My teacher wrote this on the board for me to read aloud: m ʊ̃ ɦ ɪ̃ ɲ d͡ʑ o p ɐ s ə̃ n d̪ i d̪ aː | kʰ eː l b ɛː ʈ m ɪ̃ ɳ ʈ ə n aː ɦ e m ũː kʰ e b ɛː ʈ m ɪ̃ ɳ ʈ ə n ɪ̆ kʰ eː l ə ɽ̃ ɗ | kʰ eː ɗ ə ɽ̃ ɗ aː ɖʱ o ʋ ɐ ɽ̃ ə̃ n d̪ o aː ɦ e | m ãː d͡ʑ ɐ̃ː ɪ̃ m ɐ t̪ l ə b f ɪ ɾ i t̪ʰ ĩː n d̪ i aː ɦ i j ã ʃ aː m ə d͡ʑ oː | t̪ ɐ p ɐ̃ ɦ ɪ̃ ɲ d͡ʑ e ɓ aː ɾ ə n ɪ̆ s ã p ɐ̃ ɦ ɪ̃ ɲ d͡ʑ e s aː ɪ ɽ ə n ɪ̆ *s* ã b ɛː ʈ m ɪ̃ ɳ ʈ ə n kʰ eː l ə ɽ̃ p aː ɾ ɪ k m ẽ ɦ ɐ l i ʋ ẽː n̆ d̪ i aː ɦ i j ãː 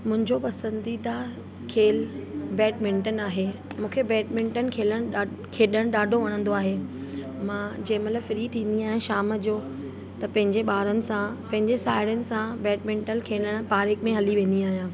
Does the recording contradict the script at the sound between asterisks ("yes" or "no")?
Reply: no